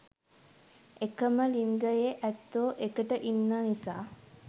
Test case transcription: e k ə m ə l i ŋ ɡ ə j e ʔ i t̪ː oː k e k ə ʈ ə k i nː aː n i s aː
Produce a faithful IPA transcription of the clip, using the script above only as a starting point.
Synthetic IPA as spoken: e k ə m ə l i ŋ ɡ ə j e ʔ æ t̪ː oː ʔ e k ə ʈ ə ʔ i nː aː n i s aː